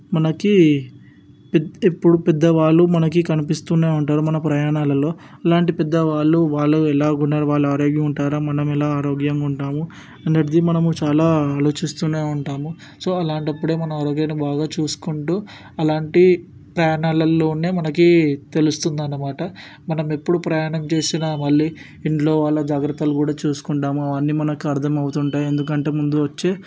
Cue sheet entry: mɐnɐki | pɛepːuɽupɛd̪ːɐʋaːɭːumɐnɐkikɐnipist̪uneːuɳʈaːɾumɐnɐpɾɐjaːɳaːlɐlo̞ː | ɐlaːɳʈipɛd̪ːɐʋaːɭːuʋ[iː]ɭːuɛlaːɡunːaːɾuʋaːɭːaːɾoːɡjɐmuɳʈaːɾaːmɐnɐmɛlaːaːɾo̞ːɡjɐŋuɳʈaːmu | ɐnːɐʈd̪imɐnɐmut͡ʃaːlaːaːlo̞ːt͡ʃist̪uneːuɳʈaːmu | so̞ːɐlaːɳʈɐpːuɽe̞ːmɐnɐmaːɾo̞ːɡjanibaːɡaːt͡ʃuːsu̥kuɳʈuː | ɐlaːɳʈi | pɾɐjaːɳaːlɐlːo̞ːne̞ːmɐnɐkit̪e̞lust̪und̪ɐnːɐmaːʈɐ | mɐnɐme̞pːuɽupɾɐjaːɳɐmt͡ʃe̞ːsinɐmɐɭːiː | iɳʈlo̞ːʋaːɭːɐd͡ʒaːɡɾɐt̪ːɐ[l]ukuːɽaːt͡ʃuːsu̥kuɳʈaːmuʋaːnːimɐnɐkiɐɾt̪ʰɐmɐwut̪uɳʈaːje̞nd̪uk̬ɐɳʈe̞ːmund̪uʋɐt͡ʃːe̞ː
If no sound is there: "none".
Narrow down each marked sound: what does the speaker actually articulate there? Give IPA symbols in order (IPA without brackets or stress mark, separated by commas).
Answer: aː, l